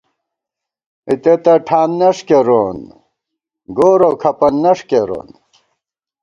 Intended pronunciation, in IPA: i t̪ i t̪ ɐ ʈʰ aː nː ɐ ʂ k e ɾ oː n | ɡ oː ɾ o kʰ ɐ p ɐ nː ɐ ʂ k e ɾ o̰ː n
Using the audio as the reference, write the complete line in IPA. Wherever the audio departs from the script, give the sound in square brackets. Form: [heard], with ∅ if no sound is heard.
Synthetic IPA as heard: i t̪ [e] t̪ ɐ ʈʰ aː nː ɐ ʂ k e ɾ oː n | ɡ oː ɾ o kʰ ɐ p ɐ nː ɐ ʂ k e ɾ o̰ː n